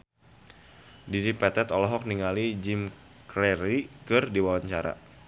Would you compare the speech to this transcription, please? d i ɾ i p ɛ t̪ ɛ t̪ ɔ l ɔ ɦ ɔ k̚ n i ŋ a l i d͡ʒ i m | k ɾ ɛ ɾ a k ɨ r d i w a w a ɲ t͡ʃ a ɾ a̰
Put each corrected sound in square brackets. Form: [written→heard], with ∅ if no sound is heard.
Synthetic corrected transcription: d i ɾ i p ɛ t̪ ɛ t̪ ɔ l ɔ ɦ ɔ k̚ n i ŋ a l i d͡ʒ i m | k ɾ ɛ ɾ [a→i] k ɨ r d i w a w a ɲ t͡ʃ a ɾ a̰